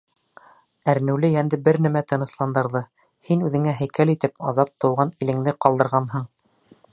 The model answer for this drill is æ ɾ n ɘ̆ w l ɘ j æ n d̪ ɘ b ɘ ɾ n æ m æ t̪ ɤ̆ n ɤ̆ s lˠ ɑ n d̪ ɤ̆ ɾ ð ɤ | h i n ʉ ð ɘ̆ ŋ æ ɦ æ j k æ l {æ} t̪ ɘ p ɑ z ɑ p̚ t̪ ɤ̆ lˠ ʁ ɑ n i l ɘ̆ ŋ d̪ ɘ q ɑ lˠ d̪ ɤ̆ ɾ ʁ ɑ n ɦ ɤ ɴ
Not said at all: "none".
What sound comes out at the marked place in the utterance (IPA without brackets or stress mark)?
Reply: i